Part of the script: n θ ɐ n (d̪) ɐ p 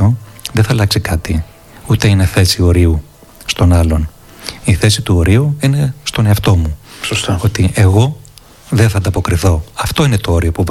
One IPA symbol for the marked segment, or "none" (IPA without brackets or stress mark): d̪